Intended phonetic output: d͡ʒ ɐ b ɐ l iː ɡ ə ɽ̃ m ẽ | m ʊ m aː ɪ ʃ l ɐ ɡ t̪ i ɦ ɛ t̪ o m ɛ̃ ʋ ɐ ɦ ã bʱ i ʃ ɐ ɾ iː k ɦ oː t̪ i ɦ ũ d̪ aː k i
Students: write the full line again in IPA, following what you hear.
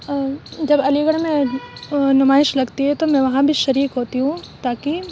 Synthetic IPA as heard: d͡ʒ ɐ b ɐ l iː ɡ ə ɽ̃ m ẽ | n ʊ m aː ɪ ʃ l ɐ ɡ t̪ i ɦ ɛ t̪ o m ɛ̃ ʋ ɐ ɦ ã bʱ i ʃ ɐ ɾ iː k ɦ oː t̪ i ɦ ũ t̪ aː k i

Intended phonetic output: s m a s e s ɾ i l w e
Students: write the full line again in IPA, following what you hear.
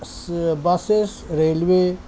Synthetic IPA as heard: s b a s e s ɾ e l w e

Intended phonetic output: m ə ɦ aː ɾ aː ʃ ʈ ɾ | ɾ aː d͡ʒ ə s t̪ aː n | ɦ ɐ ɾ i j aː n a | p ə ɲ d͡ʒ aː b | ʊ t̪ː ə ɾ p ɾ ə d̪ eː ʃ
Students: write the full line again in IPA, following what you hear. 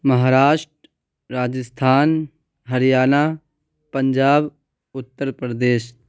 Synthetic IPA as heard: m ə ɦ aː ɾ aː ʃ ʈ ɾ | ɾ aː d͡ʒ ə s t̪ʰ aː n | ɦ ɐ ɾ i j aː n a | p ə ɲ d͡ʒ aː b | ʊ t̪ː ə ɾ p ɾ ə d̪ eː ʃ

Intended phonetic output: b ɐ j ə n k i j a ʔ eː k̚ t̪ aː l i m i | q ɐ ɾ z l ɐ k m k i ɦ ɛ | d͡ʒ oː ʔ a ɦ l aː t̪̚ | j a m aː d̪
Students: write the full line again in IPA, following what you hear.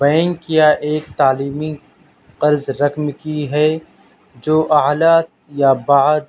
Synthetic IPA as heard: b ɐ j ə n k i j a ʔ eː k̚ t̪ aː l iː m i | q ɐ ɾ z ɾ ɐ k m k i ɦ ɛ | d͡ʒ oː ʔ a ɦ l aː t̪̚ | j a b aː d̪

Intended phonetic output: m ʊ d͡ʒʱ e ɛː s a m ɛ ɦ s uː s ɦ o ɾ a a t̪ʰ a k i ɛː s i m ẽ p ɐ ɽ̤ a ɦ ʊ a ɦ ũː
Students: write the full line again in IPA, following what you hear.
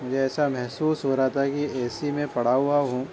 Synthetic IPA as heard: m ʊ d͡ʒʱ e ɛː s a m ɛ ɦ s uː s ɦ o ɾ a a t̪ʰ a k i ɛː s i m ẽ p ɐ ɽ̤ a ɦ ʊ a ɦ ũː

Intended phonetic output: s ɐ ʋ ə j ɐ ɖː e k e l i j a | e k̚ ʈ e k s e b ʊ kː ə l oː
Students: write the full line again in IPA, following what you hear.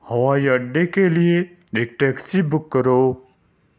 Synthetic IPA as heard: h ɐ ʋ a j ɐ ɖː e k e l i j e | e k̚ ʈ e k s i b ʊ kː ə ɾ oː

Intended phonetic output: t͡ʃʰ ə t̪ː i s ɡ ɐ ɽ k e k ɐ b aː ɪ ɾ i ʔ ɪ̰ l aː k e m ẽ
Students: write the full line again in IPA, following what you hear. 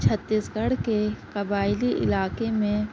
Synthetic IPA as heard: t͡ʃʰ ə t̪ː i s ɡ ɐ ɽ k e k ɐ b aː ɪ l i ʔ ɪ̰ l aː k e m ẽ

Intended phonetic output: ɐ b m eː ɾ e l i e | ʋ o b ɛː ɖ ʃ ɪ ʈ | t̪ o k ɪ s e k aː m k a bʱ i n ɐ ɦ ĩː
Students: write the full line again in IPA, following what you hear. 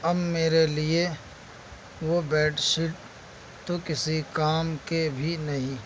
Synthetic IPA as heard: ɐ b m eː ɾ e l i e | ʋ o b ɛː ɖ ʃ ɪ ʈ | t̪ o k ɪ s i k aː m k e bʱ i n ɐ ɦ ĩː

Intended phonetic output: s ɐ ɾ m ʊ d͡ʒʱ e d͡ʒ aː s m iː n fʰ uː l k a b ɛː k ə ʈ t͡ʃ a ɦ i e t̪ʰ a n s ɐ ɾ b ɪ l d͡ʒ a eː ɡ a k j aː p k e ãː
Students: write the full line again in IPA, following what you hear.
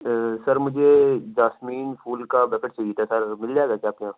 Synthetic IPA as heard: s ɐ ɾ m ʊ d͡ʒʱ e d͡ʒ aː s m iː n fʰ uː l k a b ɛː k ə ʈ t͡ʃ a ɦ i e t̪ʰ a s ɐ ɾ m ɪ l d͡ʒ a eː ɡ a k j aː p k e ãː

